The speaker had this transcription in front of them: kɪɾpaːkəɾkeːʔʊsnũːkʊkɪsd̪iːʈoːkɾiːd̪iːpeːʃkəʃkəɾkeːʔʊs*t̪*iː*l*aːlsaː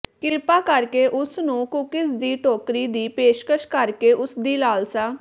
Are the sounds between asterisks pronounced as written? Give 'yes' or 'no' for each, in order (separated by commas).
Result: no, yes